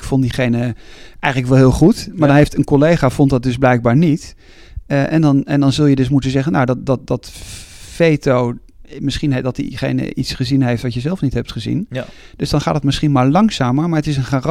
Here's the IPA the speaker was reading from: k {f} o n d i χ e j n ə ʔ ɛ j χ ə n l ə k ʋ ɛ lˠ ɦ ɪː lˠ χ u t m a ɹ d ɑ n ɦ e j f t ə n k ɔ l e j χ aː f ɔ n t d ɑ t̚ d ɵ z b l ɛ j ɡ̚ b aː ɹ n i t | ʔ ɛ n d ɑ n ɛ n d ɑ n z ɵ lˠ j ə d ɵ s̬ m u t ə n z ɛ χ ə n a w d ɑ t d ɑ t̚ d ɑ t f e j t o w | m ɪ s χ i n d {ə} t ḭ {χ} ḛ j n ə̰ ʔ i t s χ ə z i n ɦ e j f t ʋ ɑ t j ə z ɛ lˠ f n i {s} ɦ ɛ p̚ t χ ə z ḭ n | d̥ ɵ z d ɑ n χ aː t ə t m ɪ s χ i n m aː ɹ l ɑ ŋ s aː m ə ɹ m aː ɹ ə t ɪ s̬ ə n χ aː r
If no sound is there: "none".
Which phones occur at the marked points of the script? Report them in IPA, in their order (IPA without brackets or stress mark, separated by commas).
f, ɑ, χ, t